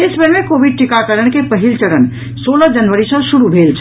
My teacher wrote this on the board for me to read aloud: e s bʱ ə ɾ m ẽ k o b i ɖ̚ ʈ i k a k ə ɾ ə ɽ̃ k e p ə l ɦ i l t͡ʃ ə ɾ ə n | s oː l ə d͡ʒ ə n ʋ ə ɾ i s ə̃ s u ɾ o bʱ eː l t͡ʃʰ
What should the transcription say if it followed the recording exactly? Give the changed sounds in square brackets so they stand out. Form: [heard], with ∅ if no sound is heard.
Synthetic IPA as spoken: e s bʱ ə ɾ m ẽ k o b i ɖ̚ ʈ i k a k ə ɾ ə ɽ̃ k e p ə [∅] ɦ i l t͡ʃ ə ɾ ə n | s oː l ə d͡ʒ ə n ʋ ə ɾ i s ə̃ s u ɾ [u] bʱ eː l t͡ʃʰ